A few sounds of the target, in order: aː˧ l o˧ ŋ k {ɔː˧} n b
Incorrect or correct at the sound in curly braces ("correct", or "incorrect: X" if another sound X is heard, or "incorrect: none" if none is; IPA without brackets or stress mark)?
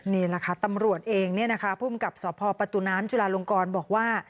correct